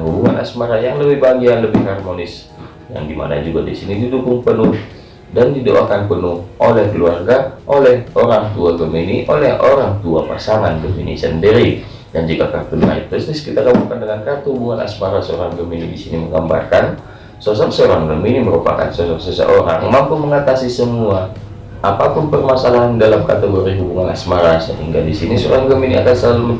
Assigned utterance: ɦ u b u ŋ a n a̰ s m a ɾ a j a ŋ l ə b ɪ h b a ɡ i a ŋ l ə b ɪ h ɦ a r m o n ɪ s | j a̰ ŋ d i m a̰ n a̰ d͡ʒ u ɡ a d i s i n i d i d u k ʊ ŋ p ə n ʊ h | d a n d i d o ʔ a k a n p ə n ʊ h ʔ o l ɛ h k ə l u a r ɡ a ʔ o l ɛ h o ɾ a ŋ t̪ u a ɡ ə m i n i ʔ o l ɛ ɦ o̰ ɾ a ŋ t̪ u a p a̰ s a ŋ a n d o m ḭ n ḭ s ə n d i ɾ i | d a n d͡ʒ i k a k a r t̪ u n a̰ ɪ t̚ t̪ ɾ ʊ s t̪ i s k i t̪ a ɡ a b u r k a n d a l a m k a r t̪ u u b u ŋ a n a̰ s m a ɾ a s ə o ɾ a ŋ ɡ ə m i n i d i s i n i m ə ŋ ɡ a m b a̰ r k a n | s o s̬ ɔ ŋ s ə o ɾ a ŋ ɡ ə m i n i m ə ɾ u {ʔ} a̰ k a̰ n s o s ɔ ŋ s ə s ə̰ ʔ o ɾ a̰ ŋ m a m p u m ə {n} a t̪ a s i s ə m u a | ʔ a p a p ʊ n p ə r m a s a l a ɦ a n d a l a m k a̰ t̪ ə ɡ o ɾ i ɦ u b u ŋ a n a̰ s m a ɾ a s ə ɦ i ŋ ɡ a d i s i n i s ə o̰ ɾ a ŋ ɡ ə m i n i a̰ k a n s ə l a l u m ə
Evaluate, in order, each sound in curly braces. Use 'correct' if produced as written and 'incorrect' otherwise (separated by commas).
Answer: incorrect, incorrect